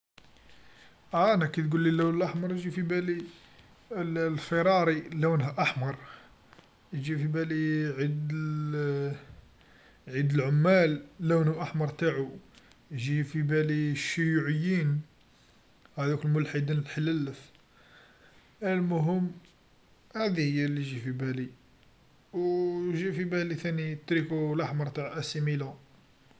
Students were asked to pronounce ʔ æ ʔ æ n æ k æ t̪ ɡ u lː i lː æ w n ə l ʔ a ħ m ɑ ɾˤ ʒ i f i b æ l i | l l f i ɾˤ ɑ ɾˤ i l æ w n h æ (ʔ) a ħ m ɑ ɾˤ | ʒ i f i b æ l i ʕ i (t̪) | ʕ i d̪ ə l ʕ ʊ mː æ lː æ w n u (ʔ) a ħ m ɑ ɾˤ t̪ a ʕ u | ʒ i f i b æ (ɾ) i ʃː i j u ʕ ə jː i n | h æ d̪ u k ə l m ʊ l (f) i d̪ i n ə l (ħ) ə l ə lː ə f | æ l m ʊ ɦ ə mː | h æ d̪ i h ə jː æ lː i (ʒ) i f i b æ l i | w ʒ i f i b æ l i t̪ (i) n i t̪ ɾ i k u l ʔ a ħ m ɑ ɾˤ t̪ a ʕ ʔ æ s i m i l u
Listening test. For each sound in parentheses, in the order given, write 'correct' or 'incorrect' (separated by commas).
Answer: correct, incorrect, correct, incorrect, incorrect, correct, correct, incorrect